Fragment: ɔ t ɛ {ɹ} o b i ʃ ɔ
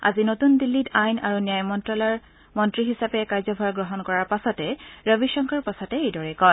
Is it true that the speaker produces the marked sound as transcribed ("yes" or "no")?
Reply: yes